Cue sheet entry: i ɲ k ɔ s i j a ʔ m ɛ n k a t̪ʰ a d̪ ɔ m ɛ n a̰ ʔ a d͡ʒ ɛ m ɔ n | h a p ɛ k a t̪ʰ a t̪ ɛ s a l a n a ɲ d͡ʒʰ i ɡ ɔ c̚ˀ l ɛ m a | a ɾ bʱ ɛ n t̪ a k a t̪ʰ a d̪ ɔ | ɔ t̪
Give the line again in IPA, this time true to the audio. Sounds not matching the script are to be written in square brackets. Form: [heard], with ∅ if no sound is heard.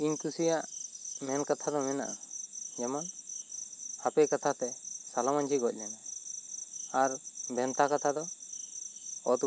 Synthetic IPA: i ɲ k [u] s i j a ʔ m ɛ n k a t̪ʰ a d̪ ɔ m ɛ n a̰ ʔ a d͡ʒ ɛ m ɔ n | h a p ɛ k a t̪ʰ a t̪ ɛ s a l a [m] a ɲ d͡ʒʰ i ɡ ɔ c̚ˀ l ɛ [n] a | a ɾ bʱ ɛ n t̪ a k a t̪ʰ a d̪ ɔ | ɔ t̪